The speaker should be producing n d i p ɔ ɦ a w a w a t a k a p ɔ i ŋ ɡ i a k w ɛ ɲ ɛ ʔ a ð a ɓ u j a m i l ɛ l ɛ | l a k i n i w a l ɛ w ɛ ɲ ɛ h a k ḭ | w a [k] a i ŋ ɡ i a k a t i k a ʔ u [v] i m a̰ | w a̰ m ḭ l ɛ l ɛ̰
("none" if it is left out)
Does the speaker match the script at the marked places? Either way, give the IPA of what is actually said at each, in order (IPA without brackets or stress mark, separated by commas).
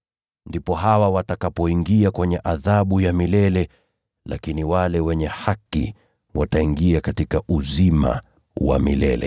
t, z